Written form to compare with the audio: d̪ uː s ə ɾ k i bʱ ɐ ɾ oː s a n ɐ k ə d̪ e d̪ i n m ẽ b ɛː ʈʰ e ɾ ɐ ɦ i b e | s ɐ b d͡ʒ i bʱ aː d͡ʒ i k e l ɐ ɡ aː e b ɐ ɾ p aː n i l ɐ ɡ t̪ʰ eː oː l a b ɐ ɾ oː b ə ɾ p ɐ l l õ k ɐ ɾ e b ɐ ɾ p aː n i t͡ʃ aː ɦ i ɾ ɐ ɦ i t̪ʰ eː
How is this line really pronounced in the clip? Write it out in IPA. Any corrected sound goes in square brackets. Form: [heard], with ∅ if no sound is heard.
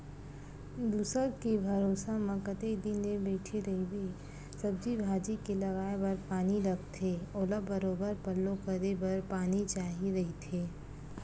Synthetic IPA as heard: d̪ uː s ə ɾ k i bʱ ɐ ɾ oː s a [m] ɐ k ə [t̪] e d̪ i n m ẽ b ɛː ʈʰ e ɾ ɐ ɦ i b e | s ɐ b d͡ʒ i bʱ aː d͡ʒ i k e l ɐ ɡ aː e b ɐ ɾ p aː n i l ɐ ɡ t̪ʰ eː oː l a b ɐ ɾ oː b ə ɾ p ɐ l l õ k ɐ ɾ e b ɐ ɾ p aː n i t͡ʃ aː ɦ i ɾ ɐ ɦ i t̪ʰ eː